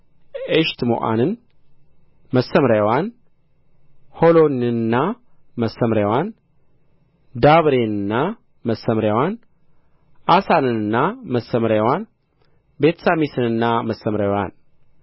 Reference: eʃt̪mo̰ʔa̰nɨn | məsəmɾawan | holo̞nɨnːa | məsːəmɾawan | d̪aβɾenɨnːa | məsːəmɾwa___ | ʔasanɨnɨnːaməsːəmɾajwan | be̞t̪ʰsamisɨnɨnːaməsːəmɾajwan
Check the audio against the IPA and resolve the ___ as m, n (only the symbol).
n